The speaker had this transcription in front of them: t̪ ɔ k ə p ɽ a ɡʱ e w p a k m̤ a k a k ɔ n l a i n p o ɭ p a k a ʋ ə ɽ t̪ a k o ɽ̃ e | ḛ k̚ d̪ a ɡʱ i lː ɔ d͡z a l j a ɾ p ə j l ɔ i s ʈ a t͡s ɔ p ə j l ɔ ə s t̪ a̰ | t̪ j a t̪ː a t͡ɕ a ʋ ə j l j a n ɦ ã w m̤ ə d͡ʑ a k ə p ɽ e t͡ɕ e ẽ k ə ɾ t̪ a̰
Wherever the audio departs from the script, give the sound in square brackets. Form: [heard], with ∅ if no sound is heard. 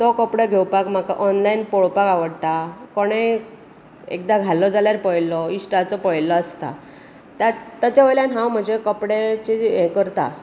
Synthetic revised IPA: t̪ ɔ k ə p ɽ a ɡʱ e w p a k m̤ a k a [ʔ] ɔ n l a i n p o ɭ p a k a ʋ ə ɽ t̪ a k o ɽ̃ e | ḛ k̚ d̪ a ɡʱ [a] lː ɔ d͡z a l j a ɾ p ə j l ɔ i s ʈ a t͡s ɔ p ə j l ɔ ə s t̪ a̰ | t̪ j a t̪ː a t͡ɕ a ʋ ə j l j a n ɦ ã w m̤ ə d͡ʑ [e] k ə p ɽ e t͡ɕ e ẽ k ə ɾ t̪ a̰